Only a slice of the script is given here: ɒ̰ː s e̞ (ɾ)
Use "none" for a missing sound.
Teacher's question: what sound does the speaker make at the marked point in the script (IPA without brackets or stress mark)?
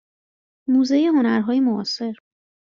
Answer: ɾ